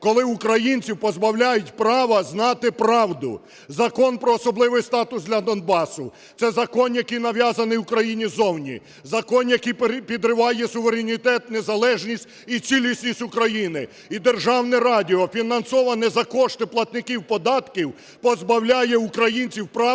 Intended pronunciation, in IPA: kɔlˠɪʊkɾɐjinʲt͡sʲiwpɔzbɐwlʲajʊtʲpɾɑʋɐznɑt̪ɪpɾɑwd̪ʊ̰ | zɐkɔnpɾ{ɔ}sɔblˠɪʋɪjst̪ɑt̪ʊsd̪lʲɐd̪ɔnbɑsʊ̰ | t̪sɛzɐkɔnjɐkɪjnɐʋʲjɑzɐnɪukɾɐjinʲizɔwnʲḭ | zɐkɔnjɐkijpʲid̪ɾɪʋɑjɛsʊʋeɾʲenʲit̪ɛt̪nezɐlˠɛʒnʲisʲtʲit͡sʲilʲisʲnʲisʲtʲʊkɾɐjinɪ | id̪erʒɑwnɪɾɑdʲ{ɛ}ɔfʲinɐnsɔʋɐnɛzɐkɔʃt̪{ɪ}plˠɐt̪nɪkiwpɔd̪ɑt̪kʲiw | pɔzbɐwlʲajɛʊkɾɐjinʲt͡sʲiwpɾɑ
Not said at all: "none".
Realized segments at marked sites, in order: ɔː, i, ɪ

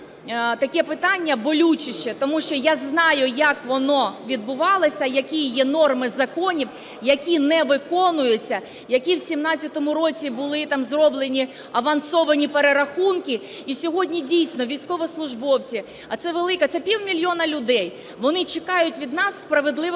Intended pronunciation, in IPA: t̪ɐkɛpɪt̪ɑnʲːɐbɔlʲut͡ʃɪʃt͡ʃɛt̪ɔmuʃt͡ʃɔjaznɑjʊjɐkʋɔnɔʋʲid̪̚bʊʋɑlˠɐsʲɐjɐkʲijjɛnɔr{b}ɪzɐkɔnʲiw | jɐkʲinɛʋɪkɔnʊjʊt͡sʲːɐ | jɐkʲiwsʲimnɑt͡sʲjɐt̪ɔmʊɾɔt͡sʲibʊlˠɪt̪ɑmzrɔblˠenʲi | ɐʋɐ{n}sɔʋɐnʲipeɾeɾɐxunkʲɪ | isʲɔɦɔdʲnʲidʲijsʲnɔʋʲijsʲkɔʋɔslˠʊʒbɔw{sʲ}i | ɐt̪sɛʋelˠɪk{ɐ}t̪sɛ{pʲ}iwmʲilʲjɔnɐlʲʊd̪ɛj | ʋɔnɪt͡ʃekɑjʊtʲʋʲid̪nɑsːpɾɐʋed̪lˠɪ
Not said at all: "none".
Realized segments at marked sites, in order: m, n, t͡sʲ, ɐ, pʲ

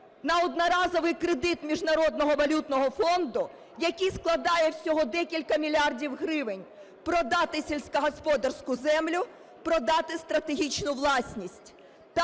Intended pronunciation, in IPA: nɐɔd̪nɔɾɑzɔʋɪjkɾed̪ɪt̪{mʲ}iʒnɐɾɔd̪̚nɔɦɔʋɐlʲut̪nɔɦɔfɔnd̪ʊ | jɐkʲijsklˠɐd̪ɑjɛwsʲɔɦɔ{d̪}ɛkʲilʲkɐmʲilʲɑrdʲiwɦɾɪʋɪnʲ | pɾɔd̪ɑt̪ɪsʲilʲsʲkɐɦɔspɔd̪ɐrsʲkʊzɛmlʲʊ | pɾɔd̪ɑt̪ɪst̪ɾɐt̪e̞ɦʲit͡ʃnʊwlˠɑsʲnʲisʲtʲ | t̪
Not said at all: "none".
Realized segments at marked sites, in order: mʲ, d̪

